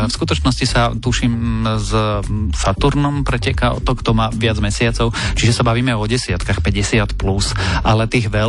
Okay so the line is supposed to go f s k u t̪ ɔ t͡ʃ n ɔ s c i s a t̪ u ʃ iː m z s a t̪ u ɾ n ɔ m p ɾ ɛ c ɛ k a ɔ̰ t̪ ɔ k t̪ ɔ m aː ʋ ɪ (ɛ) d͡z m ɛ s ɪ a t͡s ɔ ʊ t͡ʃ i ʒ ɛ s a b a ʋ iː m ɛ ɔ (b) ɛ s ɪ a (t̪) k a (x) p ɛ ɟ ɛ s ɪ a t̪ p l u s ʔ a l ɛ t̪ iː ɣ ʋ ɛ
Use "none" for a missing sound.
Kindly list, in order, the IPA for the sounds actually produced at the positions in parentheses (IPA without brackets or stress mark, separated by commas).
a, ɟ, t̪, x